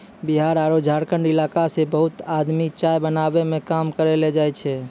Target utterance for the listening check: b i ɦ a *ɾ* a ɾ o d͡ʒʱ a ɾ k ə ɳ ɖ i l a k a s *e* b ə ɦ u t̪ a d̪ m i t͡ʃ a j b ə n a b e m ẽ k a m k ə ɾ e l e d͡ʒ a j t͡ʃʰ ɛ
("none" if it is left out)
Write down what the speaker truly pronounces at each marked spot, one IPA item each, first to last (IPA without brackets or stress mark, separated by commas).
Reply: ɾ, e